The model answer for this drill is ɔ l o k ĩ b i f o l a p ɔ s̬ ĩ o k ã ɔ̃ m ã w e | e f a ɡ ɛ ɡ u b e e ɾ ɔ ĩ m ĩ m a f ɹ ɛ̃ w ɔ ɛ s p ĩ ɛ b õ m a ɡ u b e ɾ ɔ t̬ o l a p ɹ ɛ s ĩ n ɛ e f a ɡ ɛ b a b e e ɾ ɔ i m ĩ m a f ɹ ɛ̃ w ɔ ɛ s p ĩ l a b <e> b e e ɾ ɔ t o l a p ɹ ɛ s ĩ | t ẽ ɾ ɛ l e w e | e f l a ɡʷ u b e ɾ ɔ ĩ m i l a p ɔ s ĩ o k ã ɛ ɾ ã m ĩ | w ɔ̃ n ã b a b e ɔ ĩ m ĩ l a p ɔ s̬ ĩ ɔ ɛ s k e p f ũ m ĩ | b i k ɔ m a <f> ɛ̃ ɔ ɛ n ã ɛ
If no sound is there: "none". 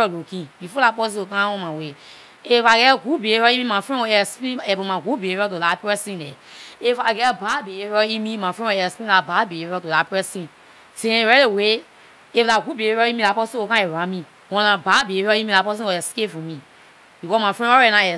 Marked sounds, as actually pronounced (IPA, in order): a, f

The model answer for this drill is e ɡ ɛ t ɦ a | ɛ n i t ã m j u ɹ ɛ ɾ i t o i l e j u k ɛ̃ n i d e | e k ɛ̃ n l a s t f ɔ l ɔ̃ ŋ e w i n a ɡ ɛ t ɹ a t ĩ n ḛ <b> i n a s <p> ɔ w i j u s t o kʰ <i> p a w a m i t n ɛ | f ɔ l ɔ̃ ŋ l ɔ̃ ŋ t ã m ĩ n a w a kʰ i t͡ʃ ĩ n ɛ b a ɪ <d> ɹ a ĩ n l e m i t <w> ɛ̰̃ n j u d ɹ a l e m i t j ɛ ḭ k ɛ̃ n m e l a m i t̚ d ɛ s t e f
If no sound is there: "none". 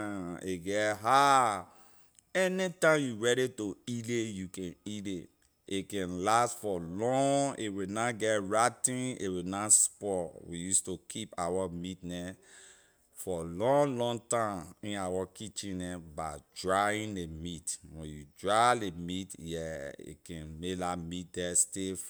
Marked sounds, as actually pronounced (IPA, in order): w, p, i, d, w

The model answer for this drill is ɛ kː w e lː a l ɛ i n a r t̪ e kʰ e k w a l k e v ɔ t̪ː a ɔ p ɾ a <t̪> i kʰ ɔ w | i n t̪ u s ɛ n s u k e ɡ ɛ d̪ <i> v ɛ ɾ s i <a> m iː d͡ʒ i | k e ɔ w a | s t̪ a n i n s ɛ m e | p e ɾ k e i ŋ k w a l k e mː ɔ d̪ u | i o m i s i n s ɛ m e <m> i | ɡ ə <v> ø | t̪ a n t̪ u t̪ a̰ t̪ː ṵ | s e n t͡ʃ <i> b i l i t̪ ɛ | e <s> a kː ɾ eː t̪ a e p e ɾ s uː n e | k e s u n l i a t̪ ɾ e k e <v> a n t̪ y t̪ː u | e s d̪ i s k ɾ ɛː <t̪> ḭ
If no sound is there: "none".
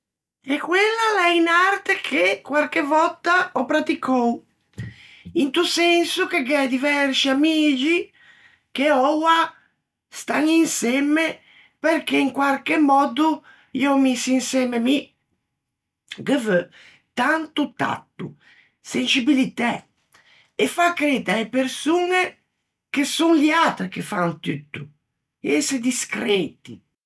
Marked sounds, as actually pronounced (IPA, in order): t̪, i, a, m, v, i, f, f, t̪

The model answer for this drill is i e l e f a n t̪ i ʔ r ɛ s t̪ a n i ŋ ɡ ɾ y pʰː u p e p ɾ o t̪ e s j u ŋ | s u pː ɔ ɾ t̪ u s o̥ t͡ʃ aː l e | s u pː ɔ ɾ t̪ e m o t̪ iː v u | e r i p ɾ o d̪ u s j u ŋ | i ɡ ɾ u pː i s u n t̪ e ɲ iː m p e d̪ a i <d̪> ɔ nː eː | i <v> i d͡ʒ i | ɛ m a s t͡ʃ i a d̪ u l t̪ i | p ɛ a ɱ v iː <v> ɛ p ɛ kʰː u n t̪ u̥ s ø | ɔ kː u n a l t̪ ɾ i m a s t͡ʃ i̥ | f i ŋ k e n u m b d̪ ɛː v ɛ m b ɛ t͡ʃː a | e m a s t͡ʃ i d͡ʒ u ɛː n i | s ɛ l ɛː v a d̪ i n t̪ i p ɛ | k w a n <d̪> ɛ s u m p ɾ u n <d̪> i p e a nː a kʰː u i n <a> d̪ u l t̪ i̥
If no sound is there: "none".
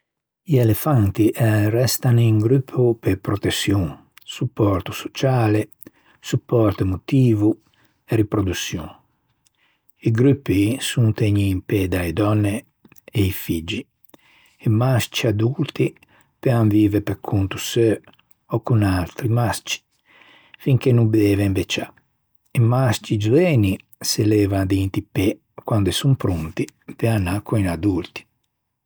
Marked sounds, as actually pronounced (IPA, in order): d̪, f, v, d̪, t̪, a

